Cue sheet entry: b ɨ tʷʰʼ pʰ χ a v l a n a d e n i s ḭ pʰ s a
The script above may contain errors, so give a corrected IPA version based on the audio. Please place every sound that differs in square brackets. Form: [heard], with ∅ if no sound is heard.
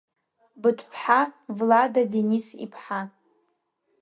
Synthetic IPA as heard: b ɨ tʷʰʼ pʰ [ħ] a v l a [d] a d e n i s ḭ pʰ [ħ] a